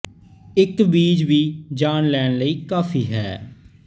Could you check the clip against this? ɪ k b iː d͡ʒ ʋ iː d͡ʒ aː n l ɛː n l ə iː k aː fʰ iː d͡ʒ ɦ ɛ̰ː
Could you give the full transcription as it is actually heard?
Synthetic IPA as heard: ɪ k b iː d͡ʒ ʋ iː d͡ʒ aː n l ɛː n l ə iː k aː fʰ iː ɦ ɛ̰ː